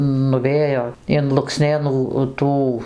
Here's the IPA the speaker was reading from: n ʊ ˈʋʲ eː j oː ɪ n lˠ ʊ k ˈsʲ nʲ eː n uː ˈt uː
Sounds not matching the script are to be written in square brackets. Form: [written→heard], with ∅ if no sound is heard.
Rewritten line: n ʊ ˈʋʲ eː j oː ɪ n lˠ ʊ k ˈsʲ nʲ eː n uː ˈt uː